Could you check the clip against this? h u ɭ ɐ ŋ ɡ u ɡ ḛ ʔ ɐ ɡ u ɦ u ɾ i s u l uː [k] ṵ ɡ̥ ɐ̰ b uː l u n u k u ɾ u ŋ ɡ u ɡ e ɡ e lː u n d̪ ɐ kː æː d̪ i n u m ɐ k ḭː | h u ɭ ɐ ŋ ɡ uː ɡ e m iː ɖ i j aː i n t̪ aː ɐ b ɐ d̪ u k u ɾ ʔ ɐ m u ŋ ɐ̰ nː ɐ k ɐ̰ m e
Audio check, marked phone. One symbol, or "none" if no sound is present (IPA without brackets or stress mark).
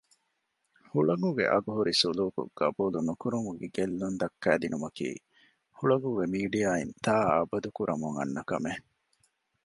k